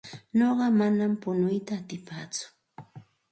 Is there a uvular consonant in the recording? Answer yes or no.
yes